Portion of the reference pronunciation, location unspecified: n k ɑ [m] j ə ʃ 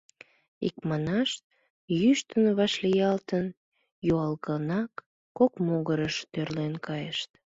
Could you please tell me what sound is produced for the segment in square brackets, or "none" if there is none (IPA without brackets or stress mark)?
none